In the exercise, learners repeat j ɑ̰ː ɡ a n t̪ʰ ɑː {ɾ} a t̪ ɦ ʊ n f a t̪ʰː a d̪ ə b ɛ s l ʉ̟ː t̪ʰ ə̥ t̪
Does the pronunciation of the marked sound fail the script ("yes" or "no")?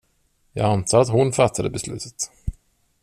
no